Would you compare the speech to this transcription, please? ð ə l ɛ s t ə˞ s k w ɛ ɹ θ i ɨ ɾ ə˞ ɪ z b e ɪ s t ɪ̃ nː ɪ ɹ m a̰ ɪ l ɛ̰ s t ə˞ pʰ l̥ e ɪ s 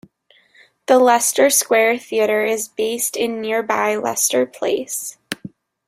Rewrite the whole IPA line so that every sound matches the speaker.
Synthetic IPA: ð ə l ɛ s t ə˞ s k w ɛ ɹ θ i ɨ ɾ ə˞ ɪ z b e ɪ s t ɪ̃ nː ɪ ɹ b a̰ ɪ l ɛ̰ s t ə˞ pʰ l̥ e ɪ s